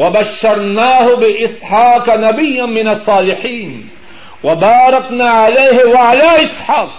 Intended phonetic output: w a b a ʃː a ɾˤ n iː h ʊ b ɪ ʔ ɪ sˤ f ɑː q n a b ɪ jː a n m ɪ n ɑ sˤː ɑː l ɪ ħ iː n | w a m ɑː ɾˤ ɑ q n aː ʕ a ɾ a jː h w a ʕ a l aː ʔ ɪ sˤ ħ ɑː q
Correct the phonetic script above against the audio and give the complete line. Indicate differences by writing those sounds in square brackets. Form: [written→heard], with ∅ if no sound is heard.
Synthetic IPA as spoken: w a b a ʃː [a→ɑ] ɾˤ n [iː→aː] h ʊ b ɪ ʔ ɪ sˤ [f→ħ] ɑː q n a b ɪ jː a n m ɪ n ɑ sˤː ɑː l ɪ ħ iː n | w a [m→b] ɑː ɾˤ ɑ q n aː ʕ a [ɾ→l] a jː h w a ʕ a l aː ʔ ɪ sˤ ħ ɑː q